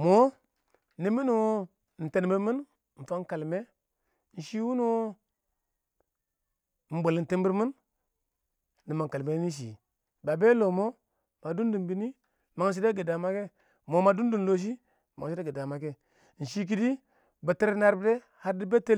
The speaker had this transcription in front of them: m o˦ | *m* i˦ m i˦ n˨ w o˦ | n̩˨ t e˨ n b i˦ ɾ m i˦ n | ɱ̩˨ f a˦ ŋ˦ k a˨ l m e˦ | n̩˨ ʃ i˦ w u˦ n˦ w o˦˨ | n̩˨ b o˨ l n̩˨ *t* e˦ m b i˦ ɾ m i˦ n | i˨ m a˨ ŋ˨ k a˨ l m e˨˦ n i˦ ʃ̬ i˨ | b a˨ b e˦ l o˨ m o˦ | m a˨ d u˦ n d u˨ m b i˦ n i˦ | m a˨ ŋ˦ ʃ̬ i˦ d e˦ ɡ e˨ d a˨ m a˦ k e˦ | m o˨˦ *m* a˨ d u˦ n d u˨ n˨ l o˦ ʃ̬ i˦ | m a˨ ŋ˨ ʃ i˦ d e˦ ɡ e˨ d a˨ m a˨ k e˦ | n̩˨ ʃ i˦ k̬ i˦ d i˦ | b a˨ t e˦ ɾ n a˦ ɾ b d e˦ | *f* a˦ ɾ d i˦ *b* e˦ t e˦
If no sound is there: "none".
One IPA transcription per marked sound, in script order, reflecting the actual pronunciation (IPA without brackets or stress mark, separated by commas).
n, t, m, h, b